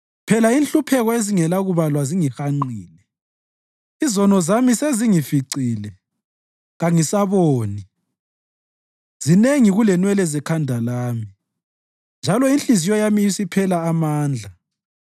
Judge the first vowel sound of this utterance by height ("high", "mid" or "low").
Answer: mid